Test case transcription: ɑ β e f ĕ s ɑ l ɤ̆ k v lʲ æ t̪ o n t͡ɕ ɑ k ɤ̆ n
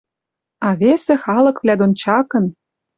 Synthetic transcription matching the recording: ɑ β e s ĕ x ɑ l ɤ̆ k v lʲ æ d̪ o n t͡ɕ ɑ k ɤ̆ n